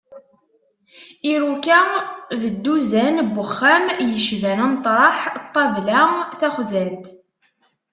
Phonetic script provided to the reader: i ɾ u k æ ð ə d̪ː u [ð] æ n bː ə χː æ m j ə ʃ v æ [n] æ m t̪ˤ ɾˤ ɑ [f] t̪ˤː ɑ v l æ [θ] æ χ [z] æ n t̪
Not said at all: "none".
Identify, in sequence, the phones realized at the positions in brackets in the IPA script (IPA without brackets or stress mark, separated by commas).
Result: z, n, ħ, θ, z